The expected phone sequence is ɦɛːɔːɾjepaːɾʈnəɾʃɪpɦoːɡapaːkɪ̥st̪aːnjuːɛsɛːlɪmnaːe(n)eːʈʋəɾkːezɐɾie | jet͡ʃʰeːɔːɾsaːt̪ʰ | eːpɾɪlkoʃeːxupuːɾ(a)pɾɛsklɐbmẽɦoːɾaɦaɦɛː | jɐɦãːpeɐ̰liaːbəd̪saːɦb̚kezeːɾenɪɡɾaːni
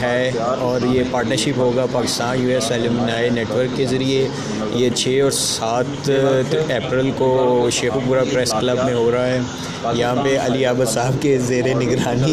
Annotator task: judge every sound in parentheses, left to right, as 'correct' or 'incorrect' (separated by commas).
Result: correct, correct